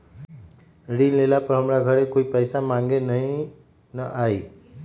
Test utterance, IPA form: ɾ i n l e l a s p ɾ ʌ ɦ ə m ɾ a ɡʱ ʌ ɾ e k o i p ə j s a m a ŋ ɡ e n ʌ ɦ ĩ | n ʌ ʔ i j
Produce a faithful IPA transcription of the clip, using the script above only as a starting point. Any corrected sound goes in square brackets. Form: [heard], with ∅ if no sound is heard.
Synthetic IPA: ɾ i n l e l a [∅] p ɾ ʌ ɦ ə m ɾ a ɡʱ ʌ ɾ e k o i p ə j s a m a ŋ ɡ e n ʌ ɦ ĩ | n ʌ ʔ [a] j

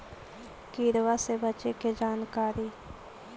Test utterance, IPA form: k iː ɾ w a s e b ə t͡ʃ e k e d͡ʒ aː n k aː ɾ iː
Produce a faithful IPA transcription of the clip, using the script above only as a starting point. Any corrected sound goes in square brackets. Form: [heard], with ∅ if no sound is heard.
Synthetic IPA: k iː ɾ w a s e b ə t͡ʃ e k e d͡ʒ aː n k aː ɾ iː

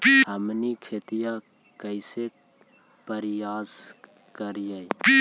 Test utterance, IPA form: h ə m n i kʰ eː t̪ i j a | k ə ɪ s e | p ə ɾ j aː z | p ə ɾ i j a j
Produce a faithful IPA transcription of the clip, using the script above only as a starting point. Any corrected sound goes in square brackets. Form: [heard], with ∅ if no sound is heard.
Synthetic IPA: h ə m n i kʰ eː t̪ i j a | k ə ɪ s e | p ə ɾ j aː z | [k] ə ɾ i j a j

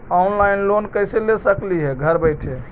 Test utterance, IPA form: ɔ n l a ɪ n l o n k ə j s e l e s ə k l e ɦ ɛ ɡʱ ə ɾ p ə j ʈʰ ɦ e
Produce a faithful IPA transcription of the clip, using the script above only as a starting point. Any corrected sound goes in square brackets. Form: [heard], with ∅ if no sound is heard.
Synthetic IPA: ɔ n l a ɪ n l o n k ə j s e l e s ə k l [i] ɦ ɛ ɡʱ ə ɾ [b] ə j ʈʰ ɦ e

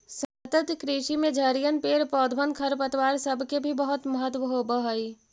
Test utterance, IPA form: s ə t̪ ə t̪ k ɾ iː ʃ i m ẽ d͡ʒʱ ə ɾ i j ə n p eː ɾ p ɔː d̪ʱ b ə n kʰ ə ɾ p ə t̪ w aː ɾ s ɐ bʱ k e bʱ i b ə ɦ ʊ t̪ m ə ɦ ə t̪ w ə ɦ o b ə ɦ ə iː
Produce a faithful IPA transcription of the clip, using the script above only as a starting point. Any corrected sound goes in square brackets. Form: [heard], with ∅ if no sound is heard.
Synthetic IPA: s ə t̪ ə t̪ k ɾ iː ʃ i m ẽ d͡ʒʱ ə ɾ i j ə n p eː ɾ p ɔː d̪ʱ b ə n kʰ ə ɾ p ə t̪ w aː ɾ s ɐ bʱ k e bʱ i b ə ɦ ʊ t̪ m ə ɦ ə t̪ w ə ɦ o b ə ɦ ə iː

